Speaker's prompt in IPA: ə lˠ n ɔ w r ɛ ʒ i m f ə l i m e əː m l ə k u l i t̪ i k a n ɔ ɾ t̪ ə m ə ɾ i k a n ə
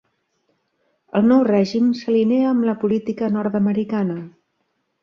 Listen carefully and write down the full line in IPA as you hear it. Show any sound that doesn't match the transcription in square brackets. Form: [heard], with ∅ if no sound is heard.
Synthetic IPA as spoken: ə lˠ n ɔ w r ɛ ʒ i m [s] ə l i [n] e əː m l ə [p] u l i t̪ i k [ə] n ɔ ɾ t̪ ə m ə ɾ i k a n ə